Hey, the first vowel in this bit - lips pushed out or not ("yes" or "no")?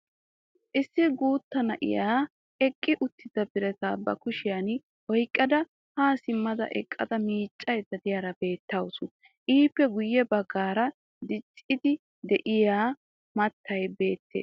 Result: no